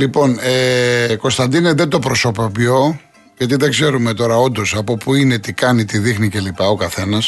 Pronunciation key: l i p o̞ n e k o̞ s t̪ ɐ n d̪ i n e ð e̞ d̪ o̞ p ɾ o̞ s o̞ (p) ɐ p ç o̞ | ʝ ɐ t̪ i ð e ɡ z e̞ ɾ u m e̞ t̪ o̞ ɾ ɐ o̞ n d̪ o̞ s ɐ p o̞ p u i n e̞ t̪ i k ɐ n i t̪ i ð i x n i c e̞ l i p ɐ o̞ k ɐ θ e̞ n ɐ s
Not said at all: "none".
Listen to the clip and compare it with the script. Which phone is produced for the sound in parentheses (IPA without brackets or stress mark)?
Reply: p